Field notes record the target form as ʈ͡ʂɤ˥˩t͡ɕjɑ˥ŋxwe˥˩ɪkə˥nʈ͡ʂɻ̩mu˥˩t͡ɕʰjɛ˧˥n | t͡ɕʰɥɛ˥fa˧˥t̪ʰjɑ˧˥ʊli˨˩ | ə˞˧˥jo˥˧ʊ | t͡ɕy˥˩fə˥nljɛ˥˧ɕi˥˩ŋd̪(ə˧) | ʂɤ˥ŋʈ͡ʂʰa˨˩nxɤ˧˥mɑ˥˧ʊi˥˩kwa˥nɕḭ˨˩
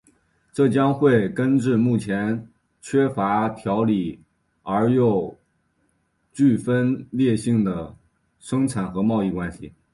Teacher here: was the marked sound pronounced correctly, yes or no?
no